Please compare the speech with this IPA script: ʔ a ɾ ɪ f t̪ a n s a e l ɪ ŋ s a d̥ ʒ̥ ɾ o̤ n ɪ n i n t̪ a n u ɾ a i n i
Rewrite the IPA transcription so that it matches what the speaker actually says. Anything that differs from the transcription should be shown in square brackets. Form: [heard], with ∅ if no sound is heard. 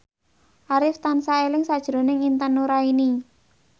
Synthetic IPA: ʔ a ɾ ɪ f t̪ a n s a e l ɪ ŋ s a d̥ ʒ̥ ɾ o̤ n ɪ [ŋ] i n t̪ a n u ɾ a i n i